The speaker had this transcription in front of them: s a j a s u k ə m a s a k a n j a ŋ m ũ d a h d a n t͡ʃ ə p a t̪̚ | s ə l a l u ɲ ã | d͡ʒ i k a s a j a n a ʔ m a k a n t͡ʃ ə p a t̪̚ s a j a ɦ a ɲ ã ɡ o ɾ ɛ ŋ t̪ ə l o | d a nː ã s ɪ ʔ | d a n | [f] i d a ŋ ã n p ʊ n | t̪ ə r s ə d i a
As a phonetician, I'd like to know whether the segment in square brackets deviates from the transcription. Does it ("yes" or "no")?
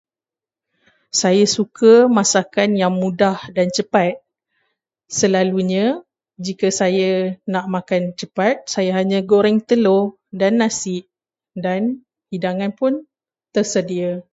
yes